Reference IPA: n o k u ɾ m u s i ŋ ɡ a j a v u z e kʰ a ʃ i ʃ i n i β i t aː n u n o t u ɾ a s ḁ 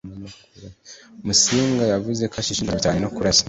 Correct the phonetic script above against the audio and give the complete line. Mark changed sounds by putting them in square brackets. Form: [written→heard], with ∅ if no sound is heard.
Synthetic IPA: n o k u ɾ m u s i ŋ ɡ a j a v u z e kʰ a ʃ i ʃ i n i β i t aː n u n o [t→k] u ɾ a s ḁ